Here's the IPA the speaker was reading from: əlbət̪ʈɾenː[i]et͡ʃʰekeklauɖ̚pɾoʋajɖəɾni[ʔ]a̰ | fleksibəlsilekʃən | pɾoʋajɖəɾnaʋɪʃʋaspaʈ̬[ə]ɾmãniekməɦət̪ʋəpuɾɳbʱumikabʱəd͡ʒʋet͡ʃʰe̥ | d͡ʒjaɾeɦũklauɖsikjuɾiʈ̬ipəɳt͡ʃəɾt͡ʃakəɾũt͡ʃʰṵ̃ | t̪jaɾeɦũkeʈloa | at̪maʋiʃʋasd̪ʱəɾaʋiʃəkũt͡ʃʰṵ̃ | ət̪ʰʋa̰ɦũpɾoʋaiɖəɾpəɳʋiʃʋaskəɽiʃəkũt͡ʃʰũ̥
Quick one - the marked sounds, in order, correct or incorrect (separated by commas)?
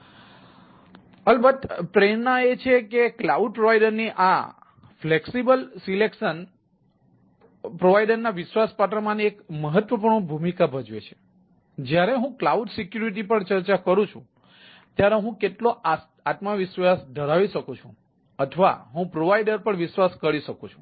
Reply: incorrect, correct, correct